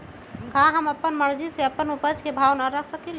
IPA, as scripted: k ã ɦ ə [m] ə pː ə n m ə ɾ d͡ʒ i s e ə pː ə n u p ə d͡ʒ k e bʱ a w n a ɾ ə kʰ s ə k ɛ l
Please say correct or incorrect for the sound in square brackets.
correct